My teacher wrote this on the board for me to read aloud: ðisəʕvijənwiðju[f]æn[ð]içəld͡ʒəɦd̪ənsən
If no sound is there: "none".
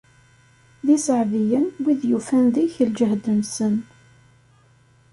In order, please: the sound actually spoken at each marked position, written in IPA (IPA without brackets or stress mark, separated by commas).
f, ð